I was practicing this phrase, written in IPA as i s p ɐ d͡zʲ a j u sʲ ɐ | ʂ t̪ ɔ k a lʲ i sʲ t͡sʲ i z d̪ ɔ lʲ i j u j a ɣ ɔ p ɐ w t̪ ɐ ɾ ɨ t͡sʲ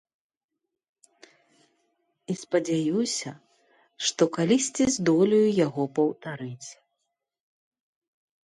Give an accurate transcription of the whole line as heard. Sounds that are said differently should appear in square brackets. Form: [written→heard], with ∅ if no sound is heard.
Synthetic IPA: i s p ɐ d͡zʲ a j u sʲ ɐ | ʂ t̪ ɔ k a lʲ i sʲ t͡sʲ i z d̪ ɔ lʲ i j u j a ɣ ɔ p ɐ w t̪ [ɐ→a] ɾ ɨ t͡sʲ